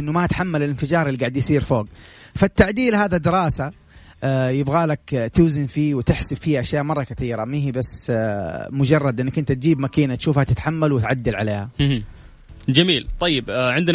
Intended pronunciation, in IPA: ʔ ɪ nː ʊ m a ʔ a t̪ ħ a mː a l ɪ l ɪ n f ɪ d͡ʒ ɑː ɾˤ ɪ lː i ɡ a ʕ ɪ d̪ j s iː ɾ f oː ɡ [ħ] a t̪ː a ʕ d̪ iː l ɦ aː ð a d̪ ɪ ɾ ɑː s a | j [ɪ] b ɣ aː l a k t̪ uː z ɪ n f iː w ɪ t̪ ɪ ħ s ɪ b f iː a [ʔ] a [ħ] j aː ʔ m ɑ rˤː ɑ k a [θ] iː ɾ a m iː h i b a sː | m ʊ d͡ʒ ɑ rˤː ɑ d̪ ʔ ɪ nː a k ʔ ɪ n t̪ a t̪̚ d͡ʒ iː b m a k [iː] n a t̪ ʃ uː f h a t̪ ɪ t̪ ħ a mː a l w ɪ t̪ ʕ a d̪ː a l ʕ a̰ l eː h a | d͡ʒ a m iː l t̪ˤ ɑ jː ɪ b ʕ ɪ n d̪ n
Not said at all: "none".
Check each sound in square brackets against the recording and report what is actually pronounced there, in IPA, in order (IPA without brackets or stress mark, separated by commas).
f, ɪ, ʔ, ʃ, θ, iː